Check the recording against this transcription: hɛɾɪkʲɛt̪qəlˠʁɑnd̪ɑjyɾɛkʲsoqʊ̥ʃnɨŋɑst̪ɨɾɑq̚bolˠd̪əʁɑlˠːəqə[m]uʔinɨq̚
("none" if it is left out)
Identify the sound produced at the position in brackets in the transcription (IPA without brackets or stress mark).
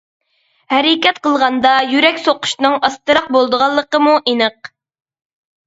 m